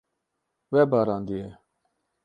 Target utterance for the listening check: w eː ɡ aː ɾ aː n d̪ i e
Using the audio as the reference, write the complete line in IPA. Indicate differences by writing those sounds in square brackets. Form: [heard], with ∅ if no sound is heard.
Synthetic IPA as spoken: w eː [b] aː ɾ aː n d̪ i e